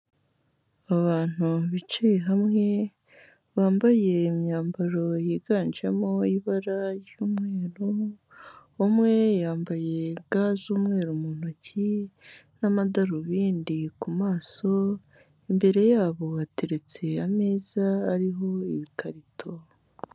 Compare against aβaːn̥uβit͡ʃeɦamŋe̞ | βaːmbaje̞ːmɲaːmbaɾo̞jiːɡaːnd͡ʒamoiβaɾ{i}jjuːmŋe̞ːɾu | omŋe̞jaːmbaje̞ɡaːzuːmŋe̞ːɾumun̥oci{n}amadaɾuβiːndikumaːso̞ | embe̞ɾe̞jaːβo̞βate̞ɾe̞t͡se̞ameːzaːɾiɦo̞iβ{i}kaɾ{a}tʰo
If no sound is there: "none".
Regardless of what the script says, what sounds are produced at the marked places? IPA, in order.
a, n, i, i

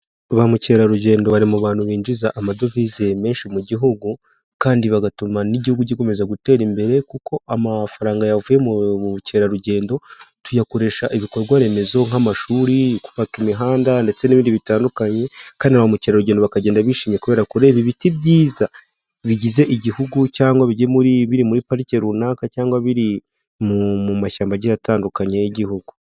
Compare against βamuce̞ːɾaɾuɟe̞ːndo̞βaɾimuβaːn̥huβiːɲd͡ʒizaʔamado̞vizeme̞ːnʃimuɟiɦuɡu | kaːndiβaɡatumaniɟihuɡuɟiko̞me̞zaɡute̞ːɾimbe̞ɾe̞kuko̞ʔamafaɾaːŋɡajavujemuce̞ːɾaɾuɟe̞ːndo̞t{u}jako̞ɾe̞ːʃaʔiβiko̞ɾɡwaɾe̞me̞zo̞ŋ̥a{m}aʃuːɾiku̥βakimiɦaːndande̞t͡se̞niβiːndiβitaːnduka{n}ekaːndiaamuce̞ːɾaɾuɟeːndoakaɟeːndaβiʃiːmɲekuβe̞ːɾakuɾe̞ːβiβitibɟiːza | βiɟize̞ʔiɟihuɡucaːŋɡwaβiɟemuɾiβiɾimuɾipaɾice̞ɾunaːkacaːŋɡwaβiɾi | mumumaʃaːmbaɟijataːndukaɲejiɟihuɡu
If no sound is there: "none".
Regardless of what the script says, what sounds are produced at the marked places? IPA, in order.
u, m, ɲ

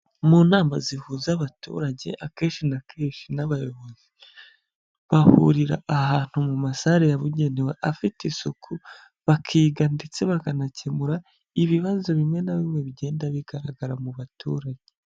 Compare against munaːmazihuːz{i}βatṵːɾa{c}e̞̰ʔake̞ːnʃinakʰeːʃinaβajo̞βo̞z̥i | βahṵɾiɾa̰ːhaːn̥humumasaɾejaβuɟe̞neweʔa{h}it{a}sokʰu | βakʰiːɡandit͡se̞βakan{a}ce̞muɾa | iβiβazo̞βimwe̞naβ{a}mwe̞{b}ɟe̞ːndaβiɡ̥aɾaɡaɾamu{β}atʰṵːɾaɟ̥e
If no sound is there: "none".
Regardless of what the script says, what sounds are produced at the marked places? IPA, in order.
a, ɟ, f, i, a, i, β, β

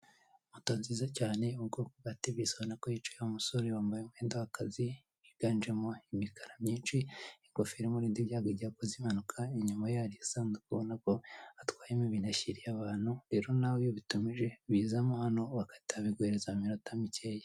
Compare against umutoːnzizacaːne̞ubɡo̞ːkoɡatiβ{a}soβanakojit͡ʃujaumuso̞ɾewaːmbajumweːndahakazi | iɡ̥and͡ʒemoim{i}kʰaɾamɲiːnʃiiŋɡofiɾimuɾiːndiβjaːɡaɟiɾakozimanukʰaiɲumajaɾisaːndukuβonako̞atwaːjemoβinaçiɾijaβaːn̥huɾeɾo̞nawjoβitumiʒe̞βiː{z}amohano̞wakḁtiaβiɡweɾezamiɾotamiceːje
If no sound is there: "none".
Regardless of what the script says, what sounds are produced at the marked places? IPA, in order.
i, i, z

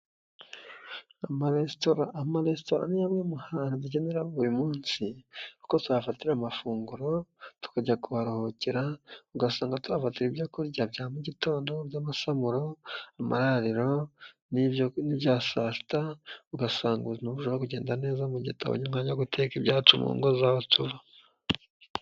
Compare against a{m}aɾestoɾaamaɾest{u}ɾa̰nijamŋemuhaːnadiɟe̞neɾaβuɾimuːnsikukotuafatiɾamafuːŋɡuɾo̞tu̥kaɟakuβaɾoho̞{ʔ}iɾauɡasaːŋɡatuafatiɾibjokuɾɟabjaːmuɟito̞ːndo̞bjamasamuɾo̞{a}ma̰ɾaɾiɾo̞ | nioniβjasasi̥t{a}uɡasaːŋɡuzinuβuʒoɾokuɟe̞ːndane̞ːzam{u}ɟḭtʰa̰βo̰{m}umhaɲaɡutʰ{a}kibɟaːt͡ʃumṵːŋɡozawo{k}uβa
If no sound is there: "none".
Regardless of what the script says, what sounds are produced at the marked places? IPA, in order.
m, o, c, a, a, u, ɲ, e, t

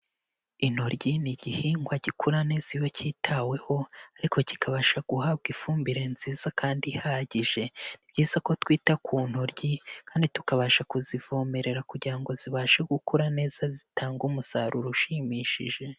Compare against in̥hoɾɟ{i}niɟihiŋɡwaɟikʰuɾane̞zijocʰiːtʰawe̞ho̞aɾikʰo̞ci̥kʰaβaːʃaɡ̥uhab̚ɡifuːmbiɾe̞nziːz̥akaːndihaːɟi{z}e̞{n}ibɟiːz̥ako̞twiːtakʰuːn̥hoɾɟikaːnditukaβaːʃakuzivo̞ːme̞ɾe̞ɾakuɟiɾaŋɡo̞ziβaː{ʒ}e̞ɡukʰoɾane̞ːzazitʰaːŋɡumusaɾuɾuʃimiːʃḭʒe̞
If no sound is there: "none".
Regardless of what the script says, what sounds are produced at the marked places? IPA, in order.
i, ʒ, n, ʃ

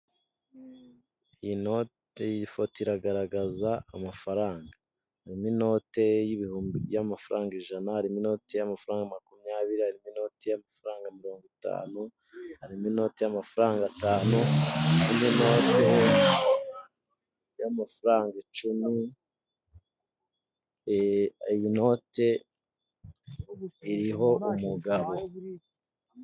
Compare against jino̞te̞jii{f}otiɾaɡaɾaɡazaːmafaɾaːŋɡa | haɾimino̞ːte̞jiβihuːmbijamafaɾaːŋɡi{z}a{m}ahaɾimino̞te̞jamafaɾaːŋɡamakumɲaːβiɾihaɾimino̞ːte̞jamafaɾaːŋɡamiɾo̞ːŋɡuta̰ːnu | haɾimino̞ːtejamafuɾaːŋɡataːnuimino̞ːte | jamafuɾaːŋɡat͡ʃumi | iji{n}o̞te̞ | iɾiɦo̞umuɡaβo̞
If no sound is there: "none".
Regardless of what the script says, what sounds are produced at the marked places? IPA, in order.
f, ʒ, n, n

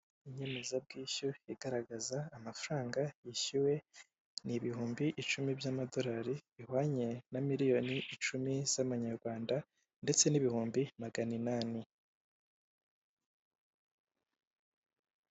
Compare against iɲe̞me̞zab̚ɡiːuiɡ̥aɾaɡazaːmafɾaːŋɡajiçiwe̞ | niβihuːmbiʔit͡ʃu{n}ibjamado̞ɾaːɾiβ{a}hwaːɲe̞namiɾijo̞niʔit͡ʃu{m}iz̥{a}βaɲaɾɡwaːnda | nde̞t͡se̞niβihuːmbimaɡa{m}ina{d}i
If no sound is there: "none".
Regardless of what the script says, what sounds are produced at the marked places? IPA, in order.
m, i, m, a, n, n

